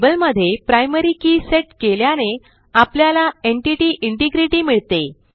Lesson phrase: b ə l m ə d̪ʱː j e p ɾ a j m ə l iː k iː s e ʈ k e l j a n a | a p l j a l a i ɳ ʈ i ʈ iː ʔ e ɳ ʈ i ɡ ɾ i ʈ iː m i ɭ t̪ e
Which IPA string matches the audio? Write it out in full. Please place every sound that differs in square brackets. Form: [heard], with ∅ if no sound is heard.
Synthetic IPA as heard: b ə l m ə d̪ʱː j e p ɾ a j m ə [ɾ] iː k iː s e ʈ k e l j a n [e] | a p l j a l a [e] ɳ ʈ i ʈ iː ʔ [i] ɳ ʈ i ɡ ɾ i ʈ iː m i ɭ t̪ e